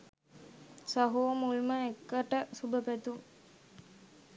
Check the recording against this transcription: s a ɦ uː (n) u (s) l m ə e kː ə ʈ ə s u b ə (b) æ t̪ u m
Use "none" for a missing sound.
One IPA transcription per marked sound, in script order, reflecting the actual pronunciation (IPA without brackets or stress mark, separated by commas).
m, none, p